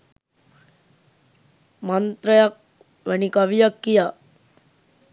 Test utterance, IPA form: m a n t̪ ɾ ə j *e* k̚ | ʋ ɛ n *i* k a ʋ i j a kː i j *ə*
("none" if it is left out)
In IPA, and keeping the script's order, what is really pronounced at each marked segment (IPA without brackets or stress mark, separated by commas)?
a, i, a